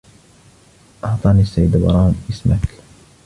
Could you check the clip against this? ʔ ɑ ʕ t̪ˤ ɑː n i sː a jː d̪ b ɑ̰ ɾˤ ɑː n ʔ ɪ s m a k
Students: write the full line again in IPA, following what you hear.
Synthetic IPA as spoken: ʔ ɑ ʕ t̪ˤ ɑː n i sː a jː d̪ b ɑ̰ ɾˤ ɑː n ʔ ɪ s m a k